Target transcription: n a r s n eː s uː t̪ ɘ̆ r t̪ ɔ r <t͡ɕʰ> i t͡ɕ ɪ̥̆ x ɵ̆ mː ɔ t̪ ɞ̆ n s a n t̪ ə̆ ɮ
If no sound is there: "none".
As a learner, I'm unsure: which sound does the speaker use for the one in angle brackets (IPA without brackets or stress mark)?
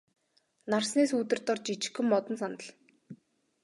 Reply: t͡ɕ